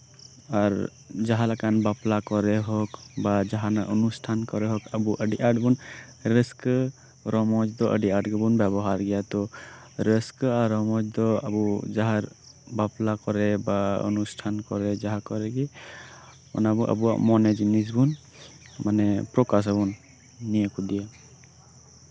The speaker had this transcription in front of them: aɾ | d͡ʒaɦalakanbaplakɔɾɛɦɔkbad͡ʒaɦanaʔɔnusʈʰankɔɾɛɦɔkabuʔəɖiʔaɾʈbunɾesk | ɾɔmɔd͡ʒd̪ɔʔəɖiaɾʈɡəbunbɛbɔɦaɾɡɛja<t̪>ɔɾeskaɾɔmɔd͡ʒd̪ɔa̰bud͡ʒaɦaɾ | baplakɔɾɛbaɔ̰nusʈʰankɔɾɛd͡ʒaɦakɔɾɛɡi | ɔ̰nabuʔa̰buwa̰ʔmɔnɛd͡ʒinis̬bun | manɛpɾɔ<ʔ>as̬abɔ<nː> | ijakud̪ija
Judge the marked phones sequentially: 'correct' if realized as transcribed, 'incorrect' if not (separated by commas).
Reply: correct, incorrect, correct